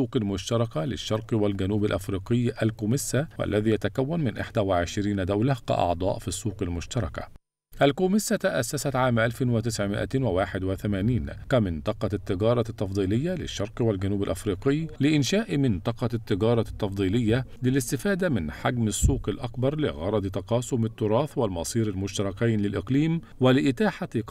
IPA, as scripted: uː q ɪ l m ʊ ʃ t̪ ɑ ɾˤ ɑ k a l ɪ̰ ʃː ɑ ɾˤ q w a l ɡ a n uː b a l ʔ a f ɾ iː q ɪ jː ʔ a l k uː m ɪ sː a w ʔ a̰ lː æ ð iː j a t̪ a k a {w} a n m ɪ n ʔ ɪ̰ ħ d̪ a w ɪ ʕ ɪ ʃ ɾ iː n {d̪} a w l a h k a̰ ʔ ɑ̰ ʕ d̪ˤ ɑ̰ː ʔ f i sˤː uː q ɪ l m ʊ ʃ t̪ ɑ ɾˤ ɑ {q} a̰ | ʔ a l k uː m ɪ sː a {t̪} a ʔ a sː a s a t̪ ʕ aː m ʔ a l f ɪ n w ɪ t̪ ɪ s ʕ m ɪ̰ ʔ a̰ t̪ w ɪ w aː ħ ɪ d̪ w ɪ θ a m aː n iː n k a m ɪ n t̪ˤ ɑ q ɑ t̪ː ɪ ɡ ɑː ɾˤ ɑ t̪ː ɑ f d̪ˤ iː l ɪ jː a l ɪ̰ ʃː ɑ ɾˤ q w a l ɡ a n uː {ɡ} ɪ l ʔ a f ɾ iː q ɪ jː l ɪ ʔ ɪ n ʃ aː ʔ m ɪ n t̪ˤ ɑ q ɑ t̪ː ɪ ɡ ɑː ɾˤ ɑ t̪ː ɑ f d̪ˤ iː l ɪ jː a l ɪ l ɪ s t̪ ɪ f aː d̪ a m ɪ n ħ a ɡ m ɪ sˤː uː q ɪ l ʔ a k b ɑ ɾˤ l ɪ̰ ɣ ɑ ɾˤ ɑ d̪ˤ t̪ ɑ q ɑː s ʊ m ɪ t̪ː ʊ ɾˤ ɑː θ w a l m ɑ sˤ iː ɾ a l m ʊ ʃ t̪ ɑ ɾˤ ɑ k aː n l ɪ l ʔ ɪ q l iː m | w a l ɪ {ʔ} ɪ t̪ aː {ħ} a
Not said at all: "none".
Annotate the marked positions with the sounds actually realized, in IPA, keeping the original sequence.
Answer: wː, d̪, k, t̪, b, ʔ, ħ

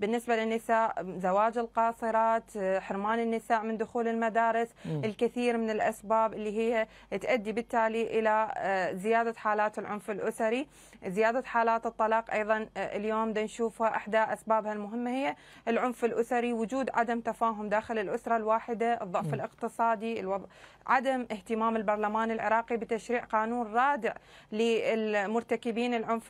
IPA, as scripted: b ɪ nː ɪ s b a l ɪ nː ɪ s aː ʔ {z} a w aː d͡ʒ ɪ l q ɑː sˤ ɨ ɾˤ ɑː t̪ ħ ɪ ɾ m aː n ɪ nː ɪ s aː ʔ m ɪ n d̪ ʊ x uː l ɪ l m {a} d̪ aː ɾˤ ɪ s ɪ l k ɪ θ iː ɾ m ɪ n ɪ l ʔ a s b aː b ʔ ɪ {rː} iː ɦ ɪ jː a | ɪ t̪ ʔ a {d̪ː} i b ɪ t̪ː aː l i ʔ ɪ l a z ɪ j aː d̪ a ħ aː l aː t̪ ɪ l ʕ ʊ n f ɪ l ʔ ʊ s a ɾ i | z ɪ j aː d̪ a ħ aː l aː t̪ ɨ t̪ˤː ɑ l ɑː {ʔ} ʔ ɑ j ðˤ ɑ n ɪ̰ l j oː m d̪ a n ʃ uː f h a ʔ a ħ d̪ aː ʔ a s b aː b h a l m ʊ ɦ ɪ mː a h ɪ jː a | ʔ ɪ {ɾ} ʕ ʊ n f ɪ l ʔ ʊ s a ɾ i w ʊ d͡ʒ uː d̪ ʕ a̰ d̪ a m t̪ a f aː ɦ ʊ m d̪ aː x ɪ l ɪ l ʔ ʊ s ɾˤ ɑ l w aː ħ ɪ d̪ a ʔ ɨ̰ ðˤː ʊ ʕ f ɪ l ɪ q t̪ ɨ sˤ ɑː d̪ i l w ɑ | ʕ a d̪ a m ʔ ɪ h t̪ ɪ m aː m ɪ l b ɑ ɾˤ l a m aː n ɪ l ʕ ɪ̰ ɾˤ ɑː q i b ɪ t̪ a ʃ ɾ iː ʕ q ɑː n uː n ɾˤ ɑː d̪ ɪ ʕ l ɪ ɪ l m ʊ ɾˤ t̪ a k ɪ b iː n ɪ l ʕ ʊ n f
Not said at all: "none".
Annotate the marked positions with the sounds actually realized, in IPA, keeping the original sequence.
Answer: z, a, lː, d̪ː, q, l

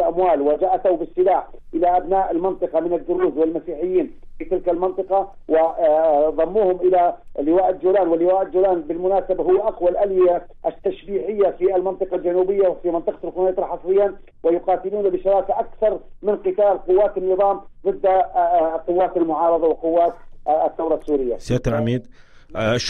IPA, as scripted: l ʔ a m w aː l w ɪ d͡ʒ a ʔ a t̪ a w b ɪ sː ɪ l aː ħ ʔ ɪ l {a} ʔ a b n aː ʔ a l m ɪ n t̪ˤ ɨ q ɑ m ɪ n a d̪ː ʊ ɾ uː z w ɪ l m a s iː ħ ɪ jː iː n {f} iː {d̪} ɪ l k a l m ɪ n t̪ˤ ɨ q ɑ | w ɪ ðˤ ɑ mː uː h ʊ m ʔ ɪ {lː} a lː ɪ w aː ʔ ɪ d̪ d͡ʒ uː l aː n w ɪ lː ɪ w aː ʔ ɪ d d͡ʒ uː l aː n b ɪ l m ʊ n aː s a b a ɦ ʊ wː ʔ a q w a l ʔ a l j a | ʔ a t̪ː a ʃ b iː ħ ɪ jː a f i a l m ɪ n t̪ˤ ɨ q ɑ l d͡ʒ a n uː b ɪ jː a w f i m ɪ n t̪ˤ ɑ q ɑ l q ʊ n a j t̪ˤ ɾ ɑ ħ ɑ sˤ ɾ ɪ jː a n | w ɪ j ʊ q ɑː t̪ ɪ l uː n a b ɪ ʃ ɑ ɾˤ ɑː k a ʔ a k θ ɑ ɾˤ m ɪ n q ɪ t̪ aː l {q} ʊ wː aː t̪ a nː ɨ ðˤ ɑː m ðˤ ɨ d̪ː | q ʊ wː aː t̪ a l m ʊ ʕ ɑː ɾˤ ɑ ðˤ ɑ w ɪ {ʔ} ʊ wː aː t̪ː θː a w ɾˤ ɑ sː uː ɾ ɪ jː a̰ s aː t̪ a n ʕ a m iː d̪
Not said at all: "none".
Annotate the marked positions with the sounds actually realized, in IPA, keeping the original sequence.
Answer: a, f, t̪, l, q, q

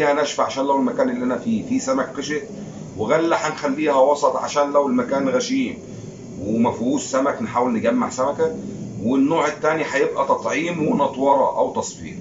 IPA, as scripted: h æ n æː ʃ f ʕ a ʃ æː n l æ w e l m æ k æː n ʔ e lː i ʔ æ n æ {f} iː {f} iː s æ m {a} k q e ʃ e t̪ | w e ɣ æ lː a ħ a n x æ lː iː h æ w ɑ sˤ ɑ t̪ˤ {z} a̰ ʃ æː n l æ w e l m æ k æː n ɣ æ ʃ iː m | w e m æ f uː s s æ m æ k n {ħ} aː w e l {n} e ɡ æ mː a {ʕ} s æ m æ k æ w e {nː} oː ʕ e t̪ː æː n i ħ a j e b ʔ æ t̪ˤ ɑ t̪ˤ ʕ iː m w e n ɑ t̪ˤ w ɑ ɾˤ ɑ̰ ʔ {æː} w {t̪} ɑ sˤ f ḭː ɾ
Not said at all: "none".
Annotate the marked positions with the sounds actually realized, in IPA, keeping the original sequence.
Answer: f, f, æ, ʕ, ħ, n, ʕ, nː, æ, t̪

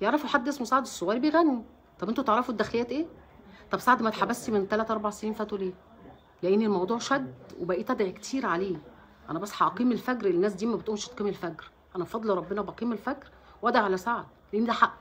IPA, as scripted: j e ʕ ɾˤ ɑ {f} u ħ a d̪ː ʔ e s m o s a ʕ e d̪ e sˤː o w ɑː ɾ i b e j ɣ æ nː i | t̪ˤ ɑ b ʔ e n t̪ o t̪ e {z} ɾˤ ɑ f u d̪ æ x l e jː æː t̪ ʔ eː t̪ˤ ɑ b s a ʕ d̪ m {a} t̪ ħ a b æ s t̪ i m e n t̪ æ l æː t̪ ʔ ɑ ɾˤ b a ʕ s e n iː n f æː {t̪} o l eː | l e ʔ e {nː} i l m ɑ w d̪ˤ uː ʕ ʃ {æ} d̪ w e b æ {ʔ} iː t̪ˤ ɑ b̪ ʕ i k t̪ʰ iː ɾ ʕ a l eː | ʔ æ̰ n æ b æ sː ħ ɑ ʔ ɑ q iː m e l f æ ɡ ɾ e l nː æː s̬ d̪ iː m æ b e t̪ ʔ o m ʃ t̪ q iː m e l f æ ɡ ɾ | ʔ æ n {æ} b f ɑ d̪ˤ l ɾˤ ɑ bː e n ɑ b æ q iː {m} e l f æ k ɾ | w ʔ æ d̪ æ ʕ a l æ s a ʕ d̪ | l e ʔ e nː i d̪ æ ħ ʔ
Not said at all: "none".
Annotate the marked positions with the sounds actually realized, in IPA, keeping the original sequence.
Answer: f, ʕ, æ, t̪, nː, æ, ʔ, æ, m

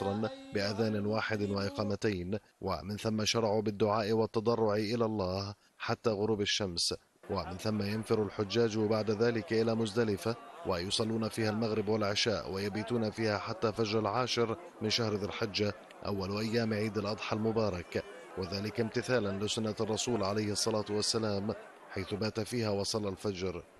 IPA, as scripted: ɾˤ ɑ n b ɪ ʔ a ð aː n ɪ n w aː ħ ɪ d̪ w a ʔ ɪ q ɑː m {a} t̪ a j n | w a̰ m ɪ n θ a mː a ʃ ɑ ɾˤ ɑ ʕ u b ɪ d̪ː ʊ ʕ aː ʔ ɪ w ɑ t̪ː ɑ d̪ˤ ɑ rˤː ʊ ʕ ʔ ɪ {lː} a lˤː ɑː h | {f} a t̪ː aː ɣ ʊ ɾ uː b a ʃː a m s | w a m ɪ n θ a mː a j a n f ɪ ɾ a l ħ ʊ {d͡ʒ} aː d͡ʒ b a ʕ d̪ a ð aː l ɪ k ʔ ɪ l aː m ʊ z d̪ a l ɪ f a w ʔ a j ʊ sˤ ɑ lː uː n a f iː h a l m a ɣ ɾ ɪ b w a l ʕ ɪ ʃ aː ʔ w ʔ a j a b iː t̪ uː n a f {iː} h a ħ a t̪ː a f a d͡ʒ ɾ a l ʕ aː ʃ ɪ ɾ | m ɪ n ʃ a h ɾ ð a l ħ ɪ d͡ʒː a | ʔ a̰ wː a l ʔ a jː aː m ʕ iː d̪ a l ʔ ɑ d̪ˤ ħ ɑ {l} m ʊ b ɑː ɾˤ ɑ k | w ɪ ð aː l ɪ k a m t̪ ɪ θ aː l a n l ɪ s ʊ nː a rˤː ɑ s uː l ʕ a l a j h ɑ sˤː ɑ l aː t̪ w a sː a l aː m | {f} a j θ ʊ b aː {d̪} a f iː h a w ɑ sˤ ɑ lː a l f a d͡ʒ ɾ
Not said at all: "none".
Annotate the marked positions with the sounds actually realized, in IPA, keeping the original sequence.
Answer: a, l, ħ, d͡ʒː, iː, l, ħ, t̪

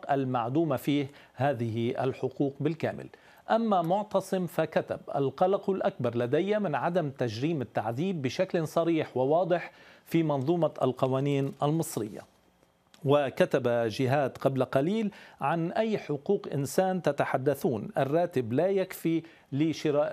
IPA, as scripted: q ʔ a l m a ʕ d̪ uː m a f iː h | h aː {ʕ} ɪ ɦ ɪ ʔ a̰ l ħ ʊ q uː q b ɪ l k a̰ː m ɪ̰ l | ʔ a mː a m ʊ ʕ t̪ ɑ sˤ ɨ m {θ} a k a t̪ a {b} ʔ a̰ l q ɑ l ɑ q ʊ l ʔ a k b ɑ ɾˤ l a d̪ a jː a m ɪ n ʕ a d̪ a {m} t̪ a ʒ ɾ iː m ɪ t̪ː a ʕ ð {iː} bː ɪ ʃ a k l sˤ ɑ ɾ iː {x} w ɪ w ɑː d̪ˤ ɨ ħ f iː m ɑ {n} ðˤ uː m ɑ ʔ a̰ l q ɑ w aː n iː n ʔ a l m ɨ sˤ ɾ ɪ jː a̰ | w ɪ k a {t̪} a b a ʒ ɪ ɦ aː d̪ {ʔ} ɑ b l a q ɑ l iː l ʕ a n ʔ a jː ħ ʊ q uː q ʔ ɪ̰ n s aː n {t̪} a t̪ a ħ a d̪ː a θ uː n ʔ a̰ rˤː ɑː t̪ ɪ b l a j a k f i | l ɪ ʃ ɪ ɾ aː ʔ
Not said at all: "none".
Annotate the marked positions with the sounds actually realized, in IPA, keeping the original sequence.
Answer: ð, f, b, m, iː, ħ, n, t̪, q, t̪

